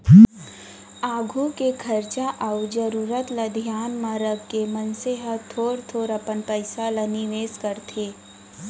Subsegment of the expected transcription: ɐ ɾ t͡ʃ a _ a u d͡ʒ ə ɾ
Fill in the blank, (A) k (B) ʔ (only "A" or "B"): B